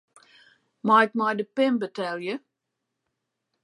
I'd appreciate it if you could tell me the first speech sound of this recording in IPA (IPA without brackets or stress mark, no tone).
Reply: m